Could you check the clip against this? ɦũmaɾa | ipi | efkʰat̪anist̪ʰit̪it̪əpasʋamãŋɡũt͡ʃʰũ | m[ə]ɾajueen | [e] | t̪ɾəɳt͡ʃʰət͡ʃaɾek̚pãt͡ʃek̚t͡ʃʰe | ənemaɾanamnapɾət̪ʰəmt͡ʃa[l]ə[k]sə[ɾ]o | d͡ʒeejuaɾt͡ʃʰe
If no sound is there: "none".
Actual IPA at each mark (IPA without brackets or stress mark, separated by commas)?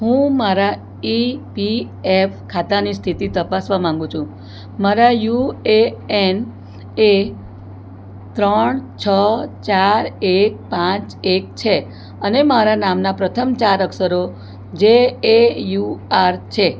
a, e, ɾ, k, ɾ